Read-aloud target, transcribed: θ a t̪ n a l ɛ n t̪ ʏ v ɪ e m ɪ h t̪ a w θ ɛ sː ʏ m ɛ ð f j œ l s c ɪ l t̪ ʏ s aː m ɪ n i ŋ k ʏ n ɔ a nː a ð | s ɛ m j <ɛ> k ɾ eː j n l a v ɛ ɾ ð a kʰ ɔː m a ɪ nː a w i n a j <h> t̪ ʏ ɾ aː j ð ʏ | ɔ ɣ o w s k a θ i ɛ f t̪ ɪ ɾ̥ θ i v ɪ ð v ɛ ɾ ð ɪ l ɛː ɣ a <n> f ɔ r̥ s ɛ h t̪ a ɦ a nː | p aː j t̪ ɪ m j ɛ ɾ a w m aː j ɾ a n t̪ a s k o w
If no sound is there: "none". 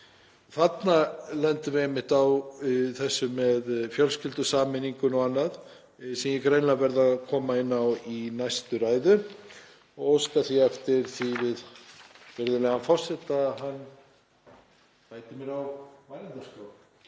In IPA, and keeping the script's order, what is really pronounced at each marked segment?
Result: ɛ, s, n

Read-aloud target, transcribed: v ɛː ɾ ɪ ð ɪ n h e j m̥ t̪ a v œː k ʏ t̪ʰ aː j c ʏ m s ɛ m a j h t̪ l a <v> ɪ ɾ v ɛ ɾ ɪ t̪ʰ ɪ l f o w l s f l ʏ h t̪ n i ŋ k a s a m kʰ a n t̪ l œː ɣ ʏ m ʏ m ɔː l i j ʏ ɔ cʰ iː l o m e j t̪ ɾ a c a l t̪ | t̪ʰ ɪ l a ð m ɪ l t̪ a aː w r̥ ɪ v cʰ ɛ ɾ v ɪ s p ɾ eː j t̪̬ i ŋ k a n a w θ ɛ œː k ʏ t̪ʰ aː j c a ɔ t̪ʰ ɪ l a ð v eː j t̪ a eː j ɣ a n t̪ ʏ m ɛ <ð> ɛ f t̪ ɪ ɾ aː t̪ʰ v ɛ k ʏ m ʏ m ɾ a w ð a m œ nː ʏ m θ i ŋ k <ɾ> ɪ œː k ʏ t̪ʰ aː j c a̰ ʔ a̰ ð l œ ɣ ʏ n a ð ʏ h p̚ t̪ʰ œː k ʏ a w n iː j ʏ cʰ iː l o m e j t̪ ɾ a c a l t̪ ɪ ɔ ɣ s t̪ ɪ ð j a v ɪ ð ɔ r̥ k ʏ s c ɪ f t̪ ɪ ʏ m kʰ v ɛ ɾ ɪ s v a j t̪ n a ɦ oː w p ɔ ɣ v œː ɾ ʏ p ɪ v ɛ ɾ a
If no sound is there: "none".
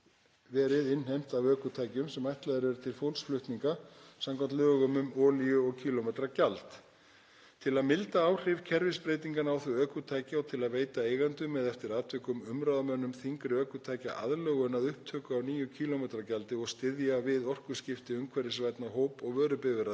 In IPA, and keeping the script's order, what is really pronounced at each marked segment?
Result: ð, ð, ɾ

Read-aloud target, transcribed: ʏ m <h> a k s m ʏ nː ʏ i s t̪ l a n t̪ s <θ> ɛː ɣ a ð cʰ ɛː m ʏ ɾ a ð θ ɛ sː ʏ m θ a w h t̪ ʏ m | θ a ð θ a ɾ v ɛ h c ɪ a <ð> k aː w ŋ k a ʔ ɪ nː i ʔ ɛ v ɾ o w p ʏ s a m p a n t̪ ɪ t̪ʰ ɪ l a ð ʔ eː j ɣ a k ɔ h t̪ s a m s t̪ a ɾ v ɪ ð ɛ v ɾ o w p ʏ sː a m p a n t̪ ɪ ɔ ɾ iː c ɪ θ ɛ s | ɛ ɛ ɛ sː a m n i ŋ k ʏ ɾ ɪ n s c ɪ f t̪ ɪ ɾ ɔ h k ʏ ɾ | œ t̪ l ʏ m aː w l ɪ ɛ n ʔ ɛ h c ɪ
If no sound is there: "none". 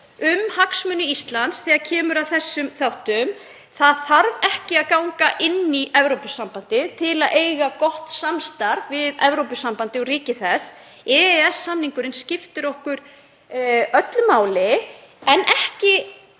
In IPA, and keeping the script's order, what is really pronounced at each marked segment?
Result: h, θ, ð

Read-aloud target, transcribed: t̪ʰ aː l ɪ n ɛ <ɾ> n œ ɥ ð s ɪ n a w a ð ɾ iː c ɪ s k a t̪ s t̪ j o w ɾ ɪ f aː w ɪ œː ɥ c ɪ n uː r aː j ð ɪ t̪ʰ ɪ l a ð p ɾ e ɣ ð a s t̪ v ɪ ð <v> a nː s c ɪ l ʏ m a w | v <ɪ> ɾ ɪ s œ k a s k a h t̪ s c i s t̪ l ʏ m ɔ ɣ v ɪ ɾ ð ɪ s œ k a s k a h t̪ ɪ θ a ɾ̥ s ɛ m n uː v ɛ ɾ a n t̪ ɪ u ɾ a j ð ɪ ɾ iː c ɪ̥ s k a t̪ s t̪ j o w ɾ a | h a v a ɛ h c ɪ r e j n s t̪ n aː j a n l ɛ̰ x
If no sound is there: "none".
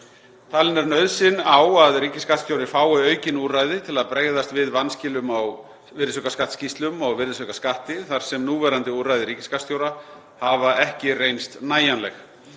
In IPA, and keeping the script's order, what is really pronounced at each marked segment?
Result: ɾ, v, ɪ

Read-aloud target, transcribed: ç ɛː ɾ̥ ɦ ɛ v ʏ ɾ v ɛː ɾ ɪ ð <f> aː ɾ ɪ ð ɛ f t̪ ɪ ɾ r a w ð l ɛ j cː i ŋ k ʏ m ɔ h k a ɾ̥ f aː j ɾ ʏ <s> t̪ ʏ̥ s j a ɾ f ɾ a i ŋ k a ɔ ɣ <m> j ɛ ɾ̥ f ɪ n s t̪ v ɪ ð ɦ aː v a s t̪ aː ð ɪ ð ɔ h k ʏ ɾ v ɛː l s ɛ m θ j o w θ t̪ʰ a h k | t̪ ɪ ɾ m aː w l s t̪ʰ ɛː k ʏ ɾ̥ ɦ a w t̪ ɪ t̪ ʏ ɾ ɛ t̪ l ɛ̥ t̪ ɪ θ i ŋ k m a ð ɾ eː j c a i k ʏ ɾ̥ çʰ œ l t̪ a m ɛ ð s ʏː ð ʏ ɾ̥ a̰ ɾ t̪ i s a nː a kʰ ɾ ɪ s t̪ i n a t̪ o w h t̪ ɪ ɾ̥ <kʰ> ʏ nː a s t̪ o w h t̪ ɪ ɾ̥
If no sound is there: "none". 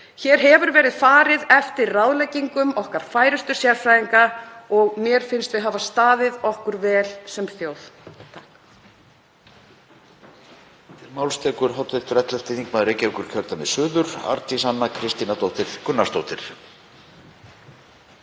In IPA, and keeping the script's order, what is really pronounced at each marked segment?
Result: f, s, m, k

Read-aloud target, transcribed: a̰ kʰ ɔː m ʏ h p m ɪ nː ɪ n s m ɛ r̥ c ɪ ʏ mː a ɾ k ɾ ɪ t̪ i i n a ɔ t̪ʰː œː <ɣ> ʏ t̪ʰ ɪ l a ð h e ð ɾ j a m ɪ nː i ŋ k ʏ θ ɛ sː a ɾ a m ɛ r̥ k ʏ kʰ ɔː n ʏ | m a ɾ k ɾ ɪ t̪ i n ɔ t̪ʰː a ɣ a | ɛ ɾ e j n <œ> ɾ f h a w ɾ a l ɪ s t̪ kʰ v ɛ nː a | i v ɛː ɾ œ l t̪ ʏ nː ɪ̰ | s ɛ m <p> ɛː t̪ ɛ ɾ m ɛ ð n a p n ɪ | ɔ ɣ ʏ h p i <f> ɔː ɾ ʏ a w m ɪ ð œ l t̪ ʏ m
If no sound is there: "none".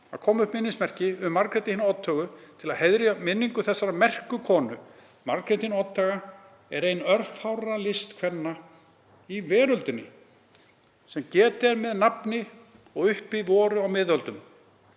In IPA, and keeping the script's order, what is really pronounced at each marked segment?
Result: ɣ, œ, c, v

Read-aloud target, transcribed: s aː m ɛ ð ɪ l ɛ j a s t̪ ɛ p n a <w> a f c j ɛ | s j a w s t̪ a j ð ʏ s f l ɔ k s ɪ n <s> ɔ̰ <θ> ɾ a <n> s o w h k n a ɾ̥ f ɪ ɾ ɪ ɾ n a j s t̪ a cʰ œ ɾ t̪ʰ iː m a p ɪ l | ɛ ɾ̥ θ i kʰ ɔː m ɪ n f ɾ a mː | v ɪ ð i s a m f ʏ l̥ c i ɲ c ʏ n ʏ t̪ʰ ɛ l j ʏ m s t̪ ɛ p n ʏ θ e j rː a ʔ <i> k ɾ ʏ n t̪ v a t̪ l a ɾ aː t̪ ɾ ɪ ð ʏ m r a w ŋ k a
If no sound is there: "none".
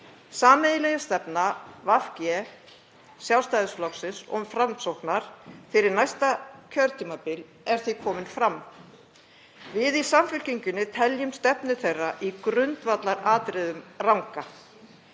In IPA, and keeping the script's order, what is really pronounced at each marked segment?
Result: v, s, f, m, i

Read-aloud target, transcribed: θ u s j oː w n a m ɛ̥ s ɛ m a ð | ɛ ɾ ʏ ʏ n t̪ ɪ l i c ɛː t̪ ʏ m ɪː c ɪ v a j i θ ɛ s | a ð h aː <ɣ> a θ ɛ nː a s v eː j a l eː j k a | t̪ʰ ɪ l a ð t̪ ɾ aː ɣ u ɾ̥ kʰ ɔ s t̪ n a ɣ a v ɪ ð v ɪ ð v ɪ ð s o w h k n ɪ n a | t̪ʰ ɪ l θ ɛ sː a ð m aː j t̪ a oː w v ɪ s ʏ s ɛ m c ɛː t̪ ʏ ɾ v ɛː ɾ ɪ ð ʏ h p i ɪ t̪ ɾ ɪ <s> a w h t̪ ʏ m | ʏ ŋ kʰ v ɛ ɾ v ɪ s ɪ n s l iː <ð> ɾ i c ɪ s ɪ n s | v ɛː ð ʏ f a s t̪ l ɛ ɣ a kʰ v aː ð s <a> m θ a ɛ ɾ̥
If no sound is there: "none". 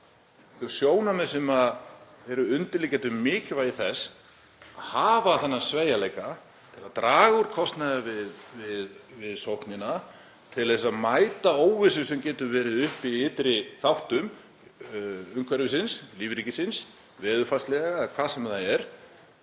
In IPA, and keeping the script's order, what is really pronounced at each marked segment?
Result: v, θ, v, ɛ

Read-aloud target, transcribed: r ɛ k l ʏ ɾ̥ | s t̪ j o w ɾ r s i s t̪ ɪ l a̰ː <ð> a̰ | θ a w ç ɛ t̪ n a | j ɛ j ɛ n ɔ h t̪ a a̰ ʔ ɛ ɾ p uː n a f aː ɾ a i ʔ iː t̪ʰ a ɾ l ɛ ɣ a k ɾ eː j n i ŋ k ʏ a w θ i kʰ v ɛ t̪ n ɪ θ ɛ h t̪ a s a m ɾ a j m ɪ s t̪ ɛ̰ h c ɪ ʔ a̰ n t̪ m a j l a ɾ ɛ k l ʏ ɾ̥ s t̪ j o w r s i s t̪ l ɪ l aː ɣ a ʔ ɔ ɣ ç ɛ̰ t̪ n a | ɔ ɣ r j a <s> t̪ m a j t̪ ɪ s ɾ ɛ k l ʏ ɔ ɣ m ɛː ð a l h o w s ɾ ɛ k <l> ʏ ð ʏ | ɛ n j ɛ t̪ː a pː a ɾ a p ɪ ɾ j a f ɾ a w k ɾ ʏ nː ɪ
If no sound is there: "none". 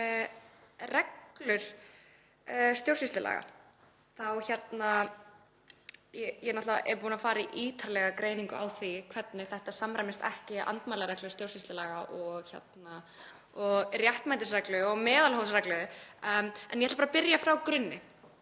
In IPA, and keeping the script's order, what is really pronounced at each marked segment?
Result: ɣ, h, l

